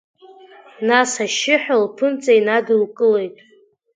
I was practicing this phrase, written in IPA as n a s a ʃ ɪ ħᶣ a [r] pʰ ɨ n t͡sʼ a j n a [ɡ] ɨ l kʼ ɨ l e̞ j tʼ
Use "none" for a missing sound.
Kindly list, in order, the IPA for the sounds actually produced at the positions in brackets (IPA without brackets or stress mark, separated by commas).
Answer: l, d